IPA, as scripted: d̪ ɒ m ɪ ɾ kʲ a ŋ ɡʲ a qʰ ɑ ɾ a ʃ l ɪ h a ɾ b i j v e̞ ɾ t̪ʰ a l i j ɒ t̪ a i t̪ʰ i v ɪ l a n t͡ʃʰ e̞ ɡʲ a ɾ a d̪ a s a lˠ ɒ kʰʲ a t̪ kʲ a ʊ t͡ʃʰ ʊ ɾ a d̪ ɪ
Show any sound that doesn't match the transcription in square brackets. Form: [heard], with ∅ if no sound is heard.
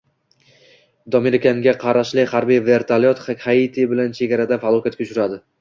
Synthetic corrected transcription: d̪ ɒ m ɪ ɾ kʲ a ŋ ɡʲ a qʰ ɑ ɾ a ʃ l ɪ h a ɾ b i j v e̞ ɾ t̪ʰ a l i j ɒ t̪ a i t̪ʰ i [b] ɪ l a n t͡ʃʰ e̞ ɡʲ a ɾ a d̪ a [f] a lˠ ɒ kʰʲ a t̪ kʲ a ʊ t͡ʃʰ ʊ ɾ a d̪ ɪ